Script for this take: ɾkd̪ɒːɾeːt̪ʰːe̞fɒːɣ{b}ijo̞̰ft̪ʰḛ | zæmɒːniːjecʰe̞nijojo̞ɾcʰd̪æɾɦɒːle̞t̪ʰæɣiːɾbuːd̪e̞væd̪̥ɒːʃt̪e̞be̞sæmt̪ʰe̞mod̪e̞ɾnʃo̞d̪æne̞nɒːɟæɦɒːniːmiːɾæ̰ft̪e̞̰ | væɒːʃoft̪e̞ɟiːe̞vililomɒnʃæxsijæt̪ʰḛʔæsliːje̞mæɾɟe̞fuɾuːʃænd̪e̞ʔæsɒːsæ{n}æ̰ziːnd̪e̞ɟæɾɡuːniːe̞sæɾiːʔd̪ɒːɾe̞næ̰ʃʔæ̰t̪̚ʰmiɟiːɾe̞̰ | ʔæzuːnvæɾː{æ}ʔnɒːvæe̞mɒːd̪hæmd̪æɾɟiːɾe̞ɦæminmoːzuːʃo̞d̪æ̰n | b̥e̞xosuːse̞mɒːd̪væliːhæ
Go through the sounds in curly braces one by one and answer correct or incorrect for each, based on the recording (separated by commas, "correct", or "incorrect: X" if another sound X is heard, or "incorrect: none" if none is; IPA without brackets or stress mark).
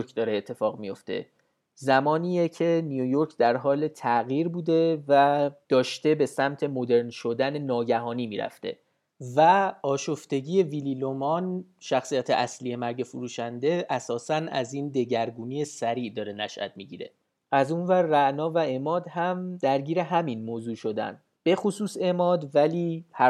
incorrect: m, correct, correct